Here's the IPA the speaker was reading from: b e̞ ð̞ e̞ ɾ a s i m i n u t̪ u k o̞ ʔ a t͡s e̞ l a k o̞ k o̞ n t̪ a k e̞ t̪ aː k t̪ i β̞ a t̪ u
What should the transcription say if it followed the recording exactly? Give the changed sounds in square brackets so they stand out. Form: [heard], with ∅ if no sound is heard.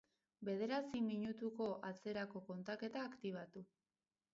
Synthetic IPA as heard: b e̞ ð̞ e̞ ɾ a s i m i [ɲ] u t̪ u k o̞ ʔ a t͡s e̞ [ɾ] a k o̞ k o̞ n t̪ a k e̞ t̪ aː k t̪ i β̞ a t̪ u

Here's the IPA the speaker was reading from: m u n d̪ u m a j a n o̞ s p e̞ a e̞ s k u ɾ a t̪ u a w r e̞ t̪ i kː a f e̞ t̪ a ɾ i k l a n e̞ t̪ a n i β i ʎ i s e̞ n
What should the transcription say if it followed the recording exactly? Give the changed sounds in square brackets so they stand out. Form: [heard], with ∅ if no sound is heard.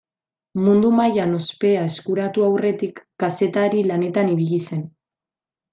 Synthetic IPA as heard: m u n d̪ u m a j a n o̞ s p e̞ a e̞ s k u ɾ a t̪ u a w r e̞ t̪ i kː a [s] e̞ t̪ a ɾ i [∅] l a n e̞ t̪ a n i β i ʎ i s e̞ n

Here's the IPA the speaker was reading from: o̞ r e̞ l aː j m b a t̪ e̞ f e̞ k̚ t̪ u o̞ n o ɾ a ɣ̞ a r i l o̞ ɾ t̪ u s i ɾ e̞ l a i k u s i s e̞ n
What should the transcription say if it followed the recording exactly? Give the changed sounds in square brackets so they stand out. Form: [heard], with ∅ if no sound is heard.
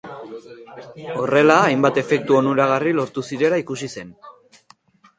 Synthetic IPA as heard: o̞ r e̞ l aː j m b a t̪ e̞ f e̞ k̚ t̪ u o̞ n [u] ɾ a ɣ̞ a r i l o̞ ɾ t̪ u s i ɾ e̞ l a i k u s i s e̞ n

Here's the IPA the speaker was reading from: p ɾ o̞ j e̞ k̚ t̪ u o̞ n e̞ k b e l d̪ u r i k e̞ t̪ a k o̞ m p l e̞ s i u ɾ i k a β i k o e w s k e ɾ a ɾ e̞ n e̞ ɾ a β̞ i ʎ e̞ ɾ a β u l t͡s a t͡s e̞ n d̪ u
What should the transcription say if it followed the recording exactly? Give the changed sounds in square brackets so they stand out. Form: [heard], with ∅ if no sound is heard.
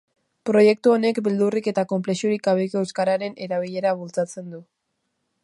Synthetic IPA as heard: p ɾ o̞ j e̞ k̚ t̪ u o̞ n e̞ k b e l d̪ u r i k e̞ t̪ a k o̞ m p l e̞ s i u ɾ i k a β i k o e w s k [a] ɾ a ɾ e̞ n e̞ ɾ a β̞ i ʎ e̞ ɾ a β u l t͡s a t͡s e̞ n d̪ u

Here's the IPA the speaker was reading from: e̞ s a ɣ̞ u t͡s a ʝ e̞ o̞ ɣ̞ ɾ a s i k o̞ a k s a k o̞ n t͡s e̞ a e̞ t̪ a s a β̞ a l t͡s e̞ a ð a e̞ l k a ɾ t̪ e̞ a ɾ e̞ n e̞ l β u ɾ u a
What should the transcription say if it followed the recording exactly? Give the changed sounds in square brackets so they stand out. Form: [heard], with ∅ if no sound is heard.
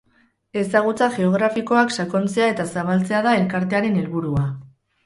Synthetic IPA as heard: e̞ s a ɣ̞ u t͡s a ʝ e̞ o̞ ɣ̞ ɾ a [f] i k o̞ a k s a k o̞ n t͡s e̞ a e̞ t̪ a s a β̞ a l t͡s e̞ a ð a e̞ l k a ɾ t̪ e̞ a ɾ e̞ n e̞ l β u ɾ u a

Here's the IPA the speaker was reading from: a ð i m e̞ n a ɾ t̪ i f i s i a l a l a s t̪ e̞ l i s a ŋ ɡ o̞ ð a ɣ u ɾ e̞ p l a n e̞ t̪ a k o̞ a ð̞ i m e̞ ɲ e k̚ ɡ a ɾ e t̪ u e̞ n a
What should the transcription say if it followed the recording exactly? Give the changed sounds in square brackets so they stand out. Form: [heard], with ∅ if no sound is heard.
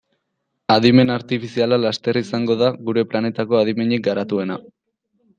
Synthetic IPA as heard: a ð i m e̞ n a ɾ t̪ i f i s i a l a l a s t̪ e̞ [r] i s a ŋ ɡ o̞ ð a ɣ u ɾ e̞ p l a n e̞ t̪ a k o̞ a ð̞ i m e̞ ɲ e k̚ ɡ a ɾ [a] t̪ u e̞ n a

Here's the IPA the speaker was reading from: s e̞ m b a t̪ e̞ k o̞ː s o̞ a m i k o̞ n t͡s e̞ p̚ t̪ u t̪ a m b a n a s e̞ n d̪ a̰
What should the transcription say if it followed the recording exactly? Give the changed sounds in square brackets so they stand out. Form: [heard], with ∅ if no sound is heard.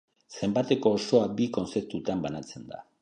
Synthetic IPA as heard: s e̞ m b a t̪ e̞ k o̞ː s o̞ a [b] i k o̞ n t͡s e̞ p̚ t̪ u t̪ a m b a n a [t͡s] e̞ n d̪ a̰

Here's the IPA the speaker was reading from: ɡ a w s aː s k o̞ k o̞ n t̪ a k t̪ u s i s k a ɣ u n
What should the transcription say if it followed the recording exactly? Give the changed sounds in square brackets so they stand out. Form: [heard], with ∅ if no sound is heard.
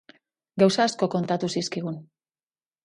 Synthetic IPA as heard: ɡ a w s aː s k o̞ k o̞ n t̪ a [∅] t̪ u s i s k [i] ɣ u n

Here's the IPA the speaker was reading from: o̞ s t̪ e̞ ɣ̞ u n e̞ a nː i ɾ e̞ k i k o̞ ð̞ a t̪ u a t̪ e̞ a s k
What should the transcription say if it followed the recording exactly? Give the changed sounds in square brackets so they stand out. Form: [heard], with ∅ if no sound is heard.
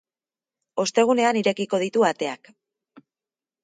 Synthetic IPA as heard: o̞ s t̪ e̞ ɣ̞ u n e̞ a [n] i ɾ e̞ k i k o̞ ð̞ [i] t̪ u a t̪ e̞ a [∅] k

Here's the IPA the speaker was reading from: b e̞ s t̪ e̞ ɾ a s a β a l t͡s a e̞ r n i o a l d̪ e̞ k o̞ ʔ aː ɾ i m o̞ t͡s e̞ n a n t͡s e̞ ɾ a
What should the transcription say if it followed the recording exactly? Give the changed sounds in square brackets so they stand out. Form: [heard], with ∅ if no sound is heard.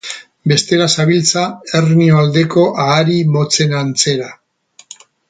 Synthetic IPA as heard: b e̞ s t̪ e̞ ɾ a s a β [i] l t͡s a e̞ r n i o a l d̪ e̞ k o̞ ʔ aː ɾ i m o̞ t͡s e̞ n a n t͡s e̞ ɾ a

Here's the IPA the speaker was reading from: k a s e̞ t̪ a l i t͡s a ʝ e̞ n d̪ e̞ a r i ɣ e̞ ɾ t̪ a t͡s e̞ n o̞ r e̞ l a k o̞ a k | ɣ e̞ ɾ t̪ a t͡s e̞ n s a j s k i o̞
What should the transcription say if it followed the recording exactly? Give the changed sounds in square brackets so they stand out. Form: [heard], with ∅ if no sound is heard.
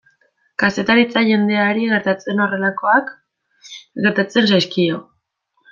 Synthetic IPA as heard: k a s e̞ t̪ a [ɾ] i t͡s a ʝ e̞ n d̪ e̞ a [ɾ] i ɣ e̞ ɾ t̪ a t͡s e̞ n o̞ r e̞ l a k o̞ a k | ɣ e̞ ɾ t̪ a t͡s e̞ n s a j s k i o̞

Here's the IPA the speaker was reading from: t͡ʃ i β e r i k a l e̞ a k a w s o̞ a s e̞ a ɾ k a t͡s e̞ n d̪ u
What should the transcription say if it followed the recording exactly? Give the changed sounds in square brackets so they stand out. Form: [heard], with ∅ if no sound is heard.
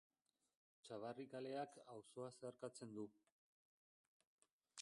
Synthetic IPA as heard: t͡ʃ [a] β [a] r i k a l e̞ a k a w s o̞ a s e̞ a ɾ k a t͡s e̞ n d̪ u

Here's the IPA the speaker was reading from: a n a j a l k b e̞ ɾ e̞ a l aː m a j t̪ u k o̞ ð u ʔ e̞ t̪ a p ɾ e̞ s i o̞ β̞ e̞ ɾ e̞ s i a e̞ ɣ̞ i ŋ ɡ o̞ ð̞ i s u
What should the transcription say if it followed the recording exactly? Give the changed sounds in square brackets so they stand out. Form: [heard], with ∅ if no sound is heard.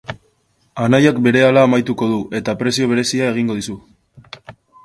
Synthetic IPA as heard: a n a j a [∅] k b e̞ ɾ e̞ a l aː m a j t̪ u k o̞ ð u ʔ e̞ t̪ a p ɾ e̞ s i o̞ β̞ e̞ ɾ e̞ s i a e̞ ɣ̞ i ŋ ɡ o̞ ð̞ i s u

